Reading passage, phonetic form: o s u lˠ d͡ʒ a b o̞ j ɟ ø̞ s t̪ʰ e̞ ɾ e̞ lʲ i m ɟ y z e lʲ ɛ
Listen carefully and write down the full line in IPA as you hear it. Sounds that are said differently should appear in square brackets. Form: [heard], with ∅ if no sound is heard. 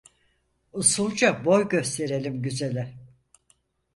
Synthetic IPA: [u] s u lˠ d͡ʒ a b o̞ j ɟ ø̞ s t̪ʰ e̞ ɾ e̞ lʲ i m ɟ y z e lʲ ɛ